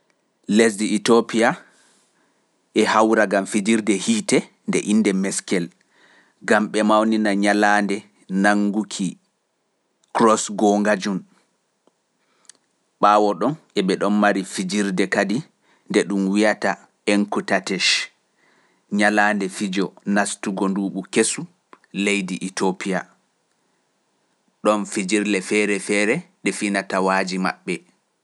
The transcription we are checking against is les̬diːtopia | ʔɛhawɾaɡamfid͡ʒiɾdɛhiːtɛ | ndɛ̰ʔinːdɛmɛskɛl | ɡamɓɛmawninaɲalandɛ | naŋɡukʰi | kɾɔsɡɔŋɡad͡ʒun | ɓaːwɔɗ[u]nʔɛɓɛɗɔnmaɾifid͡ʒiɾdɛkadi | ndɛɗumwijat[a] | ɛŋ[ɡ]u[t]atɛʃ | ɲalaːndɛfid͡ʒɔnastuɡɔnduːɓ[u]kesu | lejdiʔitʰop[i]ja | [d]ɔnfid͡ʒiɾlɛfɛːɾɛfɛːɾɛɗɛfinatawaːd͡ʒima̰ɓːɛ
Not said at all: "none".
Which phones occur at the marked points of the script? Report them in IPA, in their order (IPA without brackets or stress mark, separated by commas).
ɔ, a, k, t, u, i, ɗ